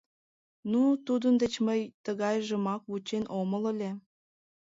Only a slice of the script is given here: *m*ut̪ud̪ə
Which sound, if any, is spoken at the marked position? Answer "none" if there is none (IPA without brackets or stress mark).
n